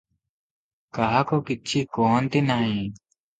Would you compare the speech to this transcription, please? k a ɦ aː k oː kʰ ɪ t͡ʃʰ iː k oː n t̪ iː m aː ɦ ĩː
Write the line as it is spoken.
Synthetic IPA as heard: k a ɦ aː k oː k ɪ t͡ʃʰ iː k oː n t̪ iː n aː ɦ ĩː